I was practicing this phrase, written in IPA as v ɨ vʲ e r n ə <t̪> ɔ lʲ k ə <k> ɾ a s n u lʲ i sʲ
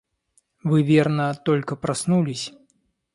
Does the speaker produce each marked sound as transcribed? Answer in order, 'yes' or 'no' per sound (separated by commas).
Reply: yes, no